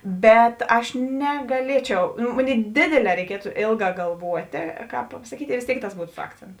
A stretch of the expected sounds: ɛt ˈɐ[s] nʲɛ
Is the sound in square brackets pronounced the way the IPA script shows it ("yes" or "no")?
no